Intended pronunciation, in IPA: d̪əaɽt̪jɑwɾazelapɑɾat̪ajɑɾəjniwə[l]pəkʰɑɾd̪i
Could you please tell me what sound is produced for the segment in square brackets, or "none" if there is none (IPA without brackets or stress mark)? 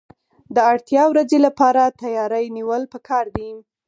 l